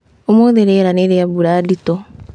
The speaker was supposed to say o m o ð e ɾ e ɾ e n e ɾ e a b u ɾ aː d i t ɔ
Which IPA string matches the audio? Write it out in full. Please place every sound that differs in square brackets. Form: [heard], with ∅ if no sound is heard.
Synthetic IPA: o m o ð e ɾ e ɾ [a] n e ɾ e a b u ɾ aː d i t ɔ